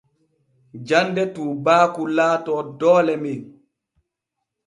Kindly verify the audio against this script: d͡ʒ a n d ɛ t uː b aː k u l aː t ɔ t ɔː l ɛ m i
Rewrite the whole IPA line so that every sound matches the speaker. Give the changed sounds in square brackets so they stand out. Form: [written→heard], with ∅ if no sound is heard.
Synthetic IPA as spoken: d͡ʒ a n d ɛ t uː b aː k u l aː t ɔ [t→d] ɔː l ɛ m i